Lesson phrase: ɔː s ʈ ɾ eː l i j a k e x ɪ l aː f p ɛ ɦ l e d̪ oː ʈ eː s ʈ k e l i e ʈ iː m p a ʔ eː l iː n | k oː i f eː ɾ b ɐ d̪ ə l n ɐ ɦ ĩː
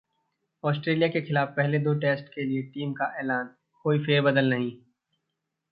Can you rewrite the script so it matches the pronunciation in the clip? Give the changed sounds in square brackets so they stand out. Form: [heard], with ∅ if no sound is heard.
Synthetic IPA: ɔː s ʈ ɾ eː l i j a k e x ɪ l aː f p ɛ ɦ l e d̪ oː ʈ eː s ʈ k e l i e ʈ iː m [k] a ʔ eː l [aː] n | k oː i f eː ɾ b ɐ d̪ ə l n ɐ ɦ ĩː